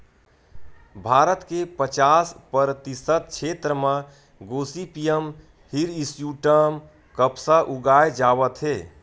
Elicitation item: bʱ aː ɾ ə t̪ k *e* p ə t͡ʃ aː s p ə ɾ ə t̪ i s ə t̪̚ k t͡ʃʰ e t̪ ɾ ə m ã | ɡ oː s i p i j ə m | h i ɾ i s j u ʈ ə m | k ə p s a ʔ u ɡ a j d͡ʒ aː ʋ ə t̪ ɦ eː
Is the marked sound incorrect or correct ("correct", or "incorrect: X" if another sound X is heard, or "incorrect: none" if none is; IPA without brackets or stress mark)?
correct